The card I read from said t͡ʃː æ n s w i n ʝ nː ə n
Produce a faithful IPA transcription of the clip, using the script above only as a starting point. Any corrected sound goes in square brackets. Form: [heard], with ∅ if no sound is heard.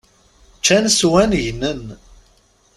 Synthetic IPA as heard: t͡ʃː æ n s w [æ] n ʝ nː ə n